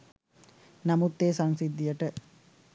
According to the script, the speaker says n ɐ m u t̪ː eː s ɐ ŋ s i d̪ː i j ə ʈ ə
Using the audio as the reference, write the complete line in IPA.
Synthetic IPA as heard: n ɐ m u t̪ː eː s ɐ ŋ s i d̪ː i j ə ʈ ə